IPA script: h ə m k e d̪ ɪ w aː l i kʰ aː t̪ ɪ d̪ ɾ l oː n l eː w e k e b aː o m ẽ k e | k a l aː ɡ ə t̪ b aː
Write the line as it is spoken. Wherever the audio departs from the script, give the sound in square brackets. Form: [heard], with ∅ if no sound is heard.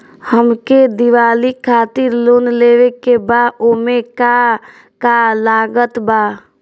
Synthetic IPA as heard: h ə m k e d̪ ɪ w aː l i kʰ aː t̪ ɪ [∅] ɾ l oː n l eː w e k e b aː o m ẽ k [a] | k a l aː ɡ ə t̪ b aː